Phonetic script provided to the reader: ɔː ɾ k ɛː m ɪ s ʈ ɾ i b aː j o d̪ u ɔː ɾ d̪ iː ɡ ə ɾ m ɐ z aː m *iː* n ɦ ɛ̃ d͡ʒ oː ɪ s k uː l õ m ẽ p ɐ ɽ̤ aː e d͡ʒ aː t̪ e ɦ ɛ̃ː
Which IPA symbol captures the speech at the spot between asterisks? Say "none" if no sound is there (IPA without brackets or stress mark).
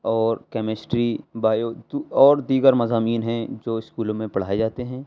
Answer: iː